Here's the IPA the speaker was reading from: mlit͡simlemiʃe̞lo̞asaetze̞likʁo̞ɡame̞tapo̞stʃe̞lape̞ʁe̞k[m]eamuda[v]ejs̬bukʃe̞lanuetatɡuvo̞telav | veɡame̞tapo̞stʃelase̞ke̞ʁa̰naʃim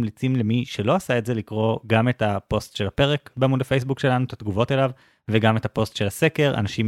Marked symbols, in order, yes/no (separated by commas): no, no